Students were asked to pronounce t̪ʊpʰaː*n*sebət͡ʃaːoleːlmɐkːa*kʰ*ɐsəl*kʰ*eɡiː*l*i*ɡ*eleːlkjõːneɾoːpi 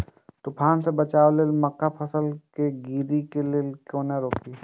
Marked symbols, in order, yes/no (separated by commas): yes, no, no, no, no